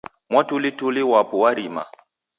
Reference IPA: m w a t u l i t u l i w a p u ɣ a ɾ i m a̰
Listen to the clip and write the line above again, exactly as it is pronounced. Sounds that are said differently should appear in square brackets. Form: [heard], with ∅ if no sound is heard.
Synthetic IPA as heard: m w a t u l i t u l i w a p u [w] a ɾ i m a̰